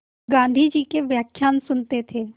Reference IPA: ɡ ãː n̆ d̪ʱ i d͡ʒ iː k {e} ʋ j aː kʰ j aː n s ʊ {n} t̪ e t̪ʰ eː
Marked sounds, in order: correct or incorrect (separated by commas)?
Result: correct, correct